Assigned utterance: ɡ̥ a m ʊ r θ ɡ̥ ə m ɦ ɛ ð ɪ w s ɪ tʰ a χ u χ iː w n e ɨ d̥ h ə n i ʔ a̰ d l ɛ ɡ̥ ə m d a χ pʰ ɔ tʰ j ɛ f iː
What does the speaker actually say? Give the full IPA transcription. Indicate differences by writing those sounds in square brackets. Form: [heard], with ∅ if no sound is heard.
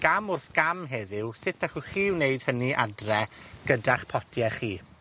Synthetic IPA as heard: ɡ̥ a m ʊ r θ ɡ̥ [a] m ɦ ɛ ð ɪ w s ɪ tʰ a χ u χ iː w n e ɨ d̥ h ə n i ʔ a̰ d [r] ɛ ɡ̥ ə [∅] d a χ pʰ ɔ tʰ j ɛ [χ] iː